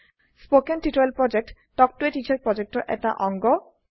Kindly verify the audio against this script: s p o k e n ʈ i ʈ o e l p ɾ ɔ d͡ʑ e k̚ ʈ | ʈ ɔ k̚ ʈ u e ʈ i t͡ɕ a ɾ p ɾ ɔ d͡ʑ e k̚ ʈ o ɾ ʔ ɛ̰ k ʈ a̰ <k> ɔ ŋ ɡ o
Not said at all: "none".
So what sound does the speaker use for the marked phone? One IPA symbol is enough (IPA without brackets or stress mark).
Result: ʔ